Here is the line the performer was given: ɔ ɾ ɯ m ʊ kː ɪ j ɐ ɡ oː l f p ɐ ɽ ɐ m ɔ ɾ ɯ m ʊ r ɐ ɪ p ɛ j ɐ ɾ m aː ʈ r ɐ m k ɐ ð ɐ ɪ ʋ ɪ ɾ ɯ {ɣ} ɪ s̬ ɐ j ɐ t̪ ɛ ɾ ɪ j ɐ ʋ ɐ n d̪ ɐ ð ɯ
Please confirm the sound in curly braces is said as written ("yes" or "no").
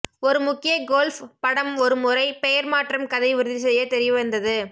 no